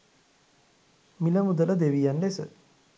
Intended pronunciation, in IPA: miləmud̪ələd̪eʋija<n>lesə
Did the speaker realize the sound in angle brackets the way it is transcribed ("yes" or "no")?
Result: yes